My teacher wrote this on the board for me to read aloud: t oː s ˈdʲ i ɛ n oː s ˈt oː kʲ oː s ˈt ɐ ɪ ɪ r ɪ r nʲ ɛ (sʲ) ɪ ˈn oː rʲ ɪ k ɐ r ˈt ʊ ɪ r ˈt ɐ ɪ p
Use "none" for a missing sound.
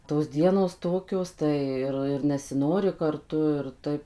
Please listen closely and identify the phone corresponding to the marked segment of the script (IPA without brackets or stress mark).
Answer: sʲ